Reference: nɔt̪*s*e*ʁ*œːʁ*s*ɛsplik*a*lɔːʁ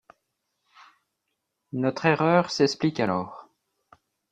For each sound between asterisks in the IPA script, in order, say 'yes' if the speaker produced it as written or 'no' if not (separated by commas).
no, yes, yes, yes